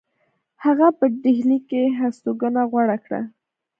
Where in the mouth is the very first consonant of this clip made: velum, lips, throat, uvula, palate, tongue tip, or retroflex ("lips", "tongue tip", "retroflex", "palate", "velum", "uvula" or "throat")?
throat